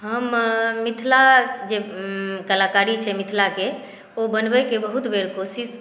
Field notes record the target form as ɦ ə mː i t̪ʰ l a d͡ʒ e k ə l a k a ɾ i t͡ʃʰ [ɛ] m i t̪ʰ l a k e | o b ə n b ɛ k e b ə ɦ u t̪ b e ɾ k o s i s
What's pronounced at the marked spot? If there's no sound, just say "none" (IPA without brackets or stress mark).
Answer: ɛ